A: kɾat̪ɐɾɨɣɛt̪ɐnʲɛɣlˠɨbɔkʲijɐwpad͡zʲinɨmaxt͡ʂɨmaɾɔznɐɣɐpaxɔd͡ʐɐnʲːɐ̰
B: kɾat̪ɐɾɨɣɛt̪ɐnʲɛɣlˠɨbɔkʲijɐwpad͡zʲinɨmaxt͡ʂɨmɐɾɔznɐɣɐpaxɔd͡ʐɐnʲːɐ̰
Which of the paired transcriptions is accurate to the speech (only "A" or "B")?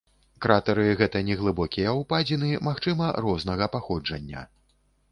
B